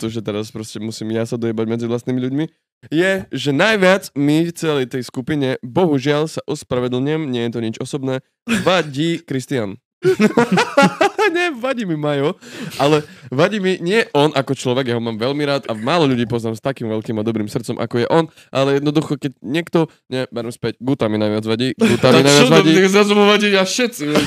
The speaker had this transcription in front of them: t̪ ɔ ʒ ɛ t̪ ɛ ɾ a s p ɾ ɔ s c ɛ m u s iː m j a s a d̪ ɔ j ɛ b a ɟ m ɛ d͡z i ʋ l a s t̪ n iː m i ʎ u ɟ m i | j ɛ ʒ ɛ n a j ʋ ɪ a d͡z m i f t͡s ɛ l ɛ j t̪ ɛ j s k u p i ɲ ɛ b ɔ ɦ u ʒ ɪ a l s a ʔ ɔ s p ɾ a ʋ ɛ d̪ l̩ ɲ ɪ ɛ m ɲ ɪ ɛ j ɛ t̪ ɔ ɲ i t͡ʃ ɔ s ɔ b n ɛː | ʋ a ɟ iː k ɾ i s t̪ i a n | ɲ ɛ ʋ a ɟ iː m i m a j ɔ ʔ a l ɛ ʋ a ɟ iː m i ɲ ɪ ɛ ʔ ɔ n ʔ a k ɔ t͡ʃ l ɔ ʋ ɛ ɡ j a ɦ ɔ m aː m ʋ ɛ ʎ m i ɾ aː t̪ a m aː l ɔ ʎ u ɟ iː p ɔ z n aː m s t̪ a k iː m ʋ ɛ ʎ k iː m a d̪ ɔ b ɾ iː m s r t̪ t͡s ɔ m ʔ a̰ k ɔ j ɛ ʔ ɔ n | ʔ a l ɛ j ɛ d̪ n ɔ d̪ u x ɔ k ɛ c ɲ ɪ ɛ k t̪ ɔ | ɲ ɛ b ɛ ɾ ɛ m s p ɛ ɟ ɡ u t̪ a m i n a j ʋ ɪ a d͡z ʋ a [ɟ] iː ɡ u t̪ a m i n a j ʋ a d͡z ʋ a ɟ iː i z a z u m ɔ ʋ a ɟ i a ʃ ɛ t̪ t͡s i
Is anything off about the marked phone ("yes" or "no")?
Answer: no